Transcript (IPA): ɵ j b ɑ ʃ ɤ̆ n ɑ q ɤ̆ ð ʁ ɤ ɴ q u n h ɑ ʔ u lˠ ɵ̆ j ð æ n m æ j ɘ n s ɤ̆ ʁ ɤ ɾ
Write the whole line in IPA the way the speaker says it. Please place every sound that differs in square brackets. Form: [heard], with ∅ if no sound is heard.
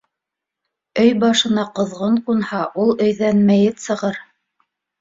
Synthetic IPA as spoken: ɵ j b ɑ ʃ ɤ̆ n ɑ q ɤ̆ ð ʁ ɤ ɴ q u n h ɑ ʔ u lˠ ɵ̆ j ð æ n m æ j ɘ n s ɤ̆ ʁ ɤ ɾ